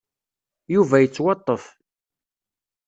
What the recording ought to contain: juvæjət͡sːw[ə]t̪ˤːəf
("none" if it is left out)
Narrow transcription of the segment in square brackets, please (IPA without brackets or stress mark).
ɑ